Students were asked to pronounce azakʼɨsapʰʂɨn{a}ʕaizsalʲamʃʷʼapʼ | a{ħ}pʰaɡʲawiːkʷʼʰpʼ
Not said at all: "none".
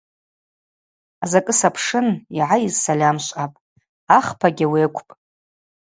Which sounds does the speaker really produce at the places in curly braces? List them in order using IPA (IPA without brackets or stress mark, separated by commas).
i, χ